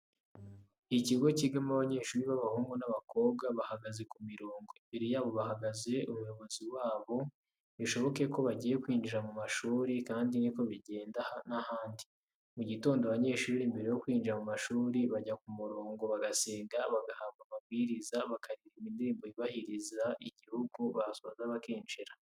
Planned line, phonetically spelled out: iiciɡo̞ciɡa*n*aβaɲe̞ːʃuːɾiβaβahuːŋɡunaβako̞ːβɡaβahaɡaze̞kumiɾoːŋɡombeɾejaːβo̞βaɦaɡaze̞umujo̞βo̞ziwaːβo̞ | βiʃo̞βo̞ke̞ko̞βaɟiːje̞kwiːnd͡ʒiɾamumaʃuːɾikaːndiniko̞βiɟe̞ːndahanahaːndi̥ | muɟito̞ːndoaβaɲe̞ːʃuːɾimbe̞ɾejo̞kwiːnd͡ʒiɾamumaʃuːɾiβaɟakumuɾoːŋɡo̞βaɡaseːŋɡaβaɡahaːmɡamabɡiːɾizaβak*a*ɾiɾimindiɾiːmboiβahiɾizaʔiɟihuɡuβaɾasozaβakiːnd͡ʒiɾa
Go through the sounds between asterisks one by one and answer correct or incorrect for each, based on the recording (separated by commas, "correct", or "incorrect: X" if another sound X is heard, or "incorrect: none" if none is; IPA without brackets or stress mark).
incorrect: m, correct